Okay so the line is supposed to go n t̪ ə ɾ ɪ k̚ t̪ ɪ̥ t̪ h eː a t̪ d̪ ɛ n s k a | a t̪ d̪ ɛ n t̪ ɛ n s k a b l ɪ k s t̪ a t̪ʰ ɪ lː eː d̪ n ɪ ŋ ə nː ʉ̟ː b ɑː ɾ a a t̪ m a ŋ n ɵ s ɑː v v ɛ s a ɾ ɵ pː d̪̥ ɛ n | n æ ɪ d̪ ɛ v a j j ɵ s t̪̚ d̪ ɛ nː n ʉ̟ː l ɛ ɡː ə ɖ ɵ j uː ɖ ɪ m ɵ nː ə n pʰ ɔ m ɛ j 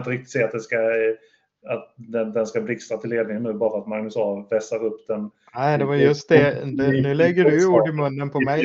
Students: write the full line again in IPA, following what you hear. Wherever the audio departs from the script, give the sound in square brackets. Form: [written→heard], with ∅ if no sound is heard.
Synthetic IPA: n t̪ ə ɾ ɪ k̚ t̪ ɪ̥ t̪ [h→s] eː a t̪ d̪ ɛ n s k a | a t̪ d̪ ɛ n [t̪→d̪] ɛ n s k a b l ɪ k s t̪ a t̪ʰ ɪ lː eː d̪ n ɪ ŋ ə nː ʉ̟ː b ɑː ɾ a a t̪ m a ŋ n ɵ s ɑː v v ɛ s a ɾ ɵ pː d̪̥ ɛ n | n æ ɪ d̪ ɛ v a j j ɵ s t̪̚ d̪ ɛ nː n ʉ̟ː l ɛ ɡː ə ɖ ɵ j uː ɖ ɪ m ɵ nː ə n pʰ ɔ m ɛ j